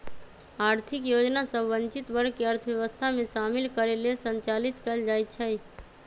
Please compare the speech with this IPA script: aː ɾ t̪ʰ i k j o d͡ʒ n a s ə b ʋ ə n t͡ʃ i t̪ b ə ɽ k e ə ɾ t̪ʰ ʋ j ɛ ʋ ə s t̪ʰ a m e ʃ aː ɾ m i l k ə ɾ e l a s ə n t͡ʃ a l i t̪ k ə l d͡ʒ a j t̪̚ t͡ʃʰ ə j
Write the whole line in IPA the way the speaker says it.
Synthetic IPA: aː ɾ t̪ʰ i k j o d͡ʒ n a s ə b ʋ ə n t͡ʃ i t̪ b ə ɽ k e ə ɾ t̪ʰ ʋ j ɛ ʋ ə s t̪ʰ a m e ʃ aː m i l k ə ɾ e l e s ə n t͡ʃ a l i t̪ k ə l d͡ʒ a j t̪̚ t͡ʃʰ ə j